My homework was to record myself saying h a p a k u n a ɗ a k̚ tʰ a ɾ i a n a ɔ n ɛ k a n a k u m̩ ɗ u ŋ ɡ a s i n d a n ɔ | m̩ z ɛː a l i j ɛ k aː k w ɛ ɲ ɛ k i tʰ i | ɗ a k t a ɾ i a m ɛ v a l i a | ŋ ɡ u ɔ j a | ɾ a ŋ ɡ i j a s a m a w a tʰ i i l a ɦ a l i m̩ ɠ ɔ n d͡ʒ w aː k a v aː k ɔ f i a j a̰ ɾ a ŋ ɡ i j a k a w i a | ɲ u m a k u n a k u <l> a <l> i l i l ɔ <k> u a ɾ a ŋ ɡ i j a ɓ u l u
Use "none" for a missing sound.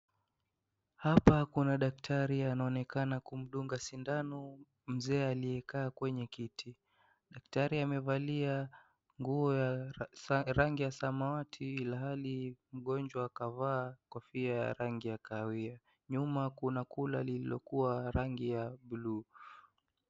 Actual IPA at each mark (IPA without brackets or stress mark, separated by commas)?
l, l, k